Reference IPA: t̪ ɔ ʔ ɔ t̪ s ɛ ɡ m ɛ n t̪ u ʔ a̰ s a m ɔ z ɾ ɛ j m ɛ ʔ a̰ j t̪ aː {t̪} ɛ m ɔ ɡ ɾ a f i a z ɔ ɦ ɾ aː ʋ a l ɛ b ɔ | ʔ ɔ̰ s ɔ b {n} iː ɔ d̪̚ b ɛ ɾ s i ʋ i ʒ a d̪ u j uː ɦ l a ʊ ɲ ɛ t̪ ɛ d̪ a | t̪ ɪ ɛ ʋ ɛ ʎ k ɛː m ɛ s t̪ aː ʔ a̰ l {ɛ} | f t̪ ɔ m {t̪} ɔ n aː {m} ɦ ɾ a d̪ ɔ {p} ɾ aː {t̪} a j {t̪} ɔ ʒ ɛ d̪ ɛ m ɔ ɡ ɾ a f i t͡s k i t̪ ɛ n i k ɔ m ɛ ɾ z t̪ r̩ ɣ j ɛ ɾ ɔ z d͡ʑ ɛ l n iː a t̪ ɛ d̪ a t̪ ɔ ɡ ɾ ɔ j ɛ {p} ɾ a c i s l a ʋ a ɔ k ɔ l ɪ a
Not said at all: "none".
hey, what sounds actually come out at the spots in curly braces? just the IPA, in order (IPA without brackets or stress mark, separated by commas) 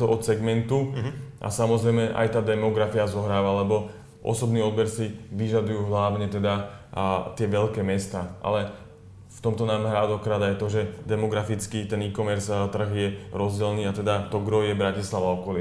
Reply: d̪, n, ɛ, t̪, m, k, d̪, t̪, b